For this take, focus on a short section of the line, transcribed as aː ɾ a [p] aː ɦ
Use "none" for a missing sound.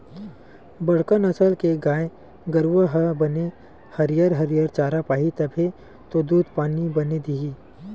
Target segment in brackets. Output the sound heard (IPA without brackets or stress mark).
p